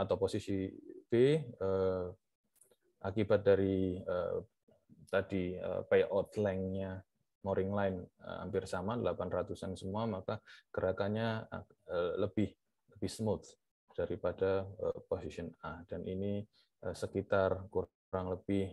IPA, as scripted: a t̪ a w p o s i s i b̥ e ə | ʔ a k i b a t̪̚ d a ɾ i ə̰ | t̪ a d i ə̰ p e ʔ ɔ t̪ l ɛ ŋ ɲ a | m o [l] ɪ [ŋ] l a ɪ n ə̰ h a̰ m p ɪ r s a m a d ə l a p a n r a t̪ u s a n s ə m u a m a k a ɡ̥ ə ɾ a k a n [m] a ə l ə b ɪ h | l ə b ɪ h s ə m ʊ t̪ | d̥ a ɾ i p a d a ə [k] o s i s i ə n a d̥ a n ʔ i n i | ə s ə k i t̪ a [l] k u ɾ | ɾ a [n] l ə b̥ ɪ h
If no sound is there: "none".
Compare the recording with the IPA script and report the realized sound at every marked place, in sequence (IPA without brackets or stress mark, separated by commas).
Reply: ɾ, ŋ, ɲ, p, r, ŋ